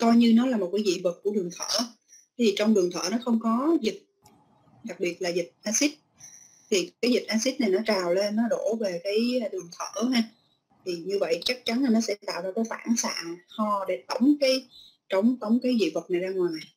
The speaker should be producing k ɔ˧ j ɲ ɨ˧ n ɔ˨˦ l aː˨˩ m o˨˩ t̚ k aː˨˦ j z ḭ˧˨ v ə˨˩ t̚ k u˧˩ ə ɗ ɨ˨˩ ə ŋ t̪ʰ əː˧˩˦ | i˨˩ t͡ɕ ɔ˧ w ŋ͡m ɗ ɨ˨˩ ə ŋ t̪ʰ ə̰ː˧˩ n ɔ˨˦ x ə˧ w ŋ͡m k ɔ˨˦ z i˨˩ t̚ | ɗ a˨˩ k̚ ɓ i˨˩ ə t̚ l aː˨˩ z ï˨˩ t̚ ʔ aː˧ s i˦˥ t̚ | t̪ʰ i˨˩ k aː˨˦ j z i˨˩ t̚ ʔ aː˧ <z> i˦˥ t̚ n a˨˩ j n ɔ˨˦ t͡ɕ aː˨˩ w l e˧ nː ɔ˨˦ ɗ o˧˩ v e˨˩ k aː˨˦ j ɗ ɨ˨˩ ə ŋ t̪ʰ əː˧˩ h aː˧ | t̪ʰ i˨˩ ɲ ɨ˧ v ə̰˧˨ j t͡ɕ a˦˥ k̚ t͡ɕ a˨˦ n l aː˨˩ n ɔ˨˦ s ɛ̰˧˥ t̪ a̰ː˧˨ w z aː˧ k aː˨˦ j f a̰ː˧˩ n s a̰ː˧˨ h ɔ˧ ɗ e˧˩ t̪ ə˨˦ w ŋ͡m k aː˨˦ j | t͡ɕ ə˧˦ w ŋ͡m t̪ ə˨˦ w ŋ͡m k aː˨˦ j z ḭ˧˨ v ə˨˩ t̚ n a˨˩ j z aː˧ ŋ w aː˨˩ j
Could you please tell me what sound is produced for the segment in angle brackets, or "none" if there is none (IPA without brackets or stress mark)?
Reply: s